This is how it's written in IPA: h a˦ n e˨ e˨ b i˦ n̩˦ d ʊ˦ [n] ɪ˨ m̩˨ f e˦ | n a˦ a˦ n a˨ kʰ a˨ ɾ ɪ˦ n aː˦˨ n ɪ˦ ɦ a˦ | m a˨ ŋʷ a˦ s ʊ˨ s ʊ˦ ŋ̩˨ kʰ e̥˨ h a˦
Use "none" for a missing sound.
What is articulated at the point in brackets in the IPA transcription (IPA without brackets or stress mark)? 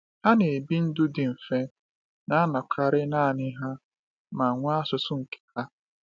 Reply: d